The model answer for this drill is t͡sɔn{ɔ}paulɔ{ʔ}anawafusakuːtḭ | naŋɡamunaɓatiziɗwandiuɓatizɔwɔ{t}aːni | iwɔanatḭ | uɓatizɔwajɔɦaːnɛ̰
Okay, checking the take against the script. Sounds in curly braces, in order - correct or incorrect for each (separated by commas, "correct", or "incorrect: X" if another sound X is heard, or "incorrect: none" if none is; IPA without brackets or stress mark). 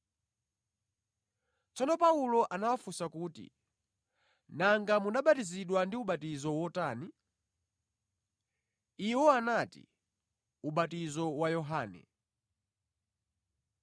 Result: correct, correct, correct